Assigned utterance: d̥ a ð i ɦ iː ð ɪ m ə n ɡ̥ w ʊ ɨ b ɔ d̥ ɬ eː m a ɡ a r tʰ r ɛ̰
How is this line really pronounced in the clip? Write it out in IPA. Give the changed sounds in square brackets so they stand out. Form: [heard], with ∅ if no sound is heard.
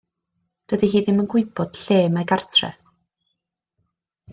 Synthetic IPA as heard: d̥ [ə] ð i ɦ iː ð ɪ m ə n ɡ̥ w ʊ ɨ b ɔ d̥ ɬ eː m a ɡ a r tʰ r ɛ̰

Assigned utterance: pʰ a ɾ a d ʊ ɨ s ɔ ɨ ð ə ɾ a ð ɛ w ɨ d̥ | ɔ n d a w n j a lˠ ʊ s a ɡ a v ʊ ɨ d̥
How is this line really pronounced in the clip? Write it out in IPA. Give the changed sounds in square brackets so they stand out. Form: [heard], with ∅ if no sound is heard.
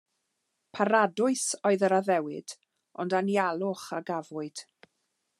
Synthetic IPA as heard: pʰ a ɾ a d ʊ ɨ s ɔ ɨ ð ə ɾ a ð ɛ w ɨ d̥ | ɔ n d a [∅] n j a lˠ ʊ [χ] a ɡ a v ʊ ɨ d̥

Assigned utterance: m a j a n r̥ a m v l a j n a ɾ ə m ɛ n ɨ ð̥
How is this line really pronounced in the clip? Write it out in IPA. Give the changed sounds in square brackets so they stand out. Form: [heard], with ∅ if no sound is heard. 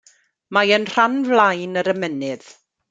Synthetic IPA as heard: m a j [ə] n r̥ a [n] v l a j n [ə] ɾ ə m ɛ n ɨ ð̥

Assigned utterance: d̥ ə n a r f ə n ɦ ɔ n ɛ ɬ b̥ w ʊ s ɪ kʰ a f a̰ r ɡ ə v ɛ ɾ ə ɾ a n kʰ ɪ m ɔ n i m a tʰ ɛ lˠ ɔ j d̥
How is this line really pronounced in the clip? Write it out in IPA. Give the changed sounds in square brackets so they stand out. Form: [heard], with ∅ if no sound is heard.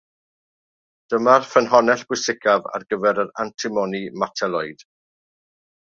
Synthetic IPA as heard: d̥ ə [m] a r f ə n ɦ ɔ n ɛ ɬ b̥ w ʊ s ɪ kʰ a [v] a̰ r ɡ ə v ɛ ɾ ə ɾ a n [tʰ] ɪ m ɔ n i m a tʰ ɛ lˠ ɔ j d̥

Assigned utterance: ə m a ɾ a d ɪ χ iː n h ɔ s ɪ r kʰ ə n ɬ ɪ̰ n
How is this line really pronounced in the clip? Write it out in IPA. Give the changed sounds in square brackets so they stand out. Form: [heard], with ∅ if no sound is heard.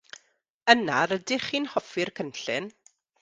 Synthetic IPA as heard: ə [n] a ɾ [ə] d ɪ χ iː n h ɔ [f] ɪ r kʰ ə n ɬ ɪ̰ n

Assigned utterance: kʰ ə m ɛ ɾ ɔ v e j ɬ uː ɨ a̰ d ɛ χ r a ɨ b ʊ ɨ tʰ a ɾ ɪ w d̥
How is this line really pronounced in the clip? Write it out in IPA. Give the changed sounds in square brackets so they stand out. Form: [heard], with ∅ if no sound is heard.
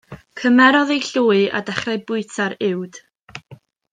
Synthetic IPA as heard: kʰ ə m ɛ ɾ ɔ [ð] e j ɬ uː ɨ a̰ d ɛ χ r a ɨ b ʊ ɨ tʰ a ɾ ɪ w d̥

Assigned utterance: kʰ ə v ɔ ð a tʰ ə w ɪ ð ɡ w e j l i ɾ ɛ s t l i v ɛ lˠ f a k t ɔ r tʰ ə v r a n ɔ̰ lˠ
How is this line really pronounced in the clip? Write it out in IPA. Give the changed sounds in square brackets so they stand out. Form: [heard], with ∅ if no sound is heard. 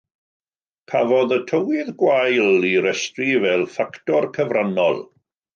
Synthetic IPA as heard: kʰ [a] v ɔ ð [ə] tʰ ə w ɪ ð ɡ w [a] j l i ɾ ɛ s t [r] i v ɛ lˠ f a k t ɔ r [kʰ] ə v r a n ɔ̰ lˠ

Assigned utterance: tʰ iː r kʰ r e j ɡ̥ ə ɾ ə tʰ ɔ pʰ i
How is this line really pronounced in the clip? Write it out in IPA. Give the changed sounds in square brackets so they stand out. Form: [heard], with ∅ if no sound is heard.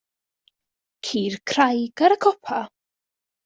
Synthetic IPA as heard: [kʰ] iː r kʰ r [a] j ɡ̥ [a] ɾ ə [kʰ] ɔ pʰ [a]

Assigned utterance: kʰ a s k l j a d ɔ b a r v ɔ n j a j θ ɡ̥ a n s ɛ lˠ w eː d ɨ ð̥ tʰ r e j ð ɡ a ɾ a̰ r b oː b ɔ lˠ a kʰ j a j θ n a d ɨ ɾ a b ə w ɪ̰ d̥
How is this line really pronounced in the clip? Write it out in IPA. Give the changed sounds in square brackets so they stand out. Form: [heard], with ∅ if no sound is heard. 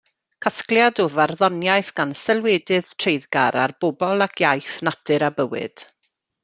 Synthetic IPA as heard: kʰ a s k l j a d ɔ [v] a r [ð] ɔ n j a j θ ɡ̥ a n s ɛ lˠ w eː d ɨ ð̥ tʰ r e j ð ɡ a ɾ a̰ r b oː b ɔ lˠ a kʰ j a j θ n a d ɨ ɾ a b ə w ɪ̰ d̥

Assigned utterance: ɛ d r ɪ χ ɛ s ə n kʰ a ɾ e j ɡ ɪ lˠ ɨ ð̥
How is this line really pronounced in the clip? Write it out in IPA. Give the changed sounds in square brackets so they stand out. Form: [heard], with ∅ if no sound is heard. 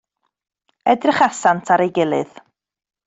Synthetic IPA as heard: ɛ d r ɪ χ [a] s [a] n [tʰ] a ɾ e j ɡ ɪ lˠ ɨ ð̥

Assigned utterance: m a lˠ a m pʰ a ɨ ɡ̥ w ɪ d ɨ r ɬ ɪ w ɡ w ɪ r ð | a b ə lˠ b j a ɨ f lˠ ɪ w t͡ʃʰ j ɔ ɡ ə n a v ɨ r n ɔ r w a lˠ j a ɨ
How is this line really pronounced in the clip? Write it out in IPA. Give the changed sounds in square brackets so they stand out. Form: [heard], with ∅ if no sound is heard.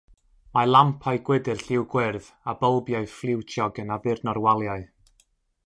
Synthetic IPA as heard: m a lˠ a m pʰ a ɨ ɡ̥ w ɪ d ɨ r ɬ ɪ w ɡ w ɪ r ð | a b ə lˠ b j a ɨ f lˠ ɪ w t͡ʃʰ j ɔ ɡ ə n a v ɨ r n ɔ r w a lˠ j a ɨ

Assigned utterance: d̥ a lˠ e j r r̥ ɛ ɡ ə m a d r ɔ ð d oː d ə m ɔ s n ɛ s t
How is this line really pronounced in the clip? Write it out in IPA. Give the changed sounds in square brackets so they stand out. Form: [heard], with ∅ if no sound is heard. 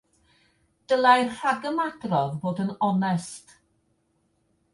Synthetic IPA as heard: d̥ [ə] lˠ [a] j r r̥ [a] ɡ ə m a d r ɔ ð [b] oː d ə [n] ɔ [∅] n ɛ s t

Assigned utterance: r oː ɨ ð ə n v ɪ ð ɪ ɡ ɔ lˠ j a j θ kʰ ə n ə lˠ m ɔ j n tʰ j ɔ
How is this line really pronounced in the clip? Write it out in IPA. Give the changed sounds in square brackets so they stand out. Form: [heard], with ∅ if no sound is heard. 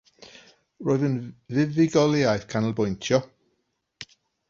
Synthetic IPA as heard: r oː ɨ ð ə n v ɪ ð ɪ ɡ ɔ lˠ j a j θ kʰ [a] n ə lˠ [b] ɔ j n tʰ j ɔ

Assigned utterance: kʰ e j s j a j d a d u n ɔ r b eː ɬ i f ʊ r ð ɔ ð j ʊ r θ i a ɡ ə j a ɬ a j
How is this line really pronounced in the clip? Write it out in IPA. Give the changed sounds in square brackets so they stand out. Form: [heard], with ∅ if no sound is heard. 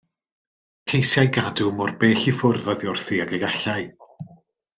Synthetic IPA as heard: kʰ e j s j a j [ɡ] a d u [m] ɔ r b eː ɬ i f ʊ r ð ɔ ð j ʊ r θ i a ɡ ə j a ɬ a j

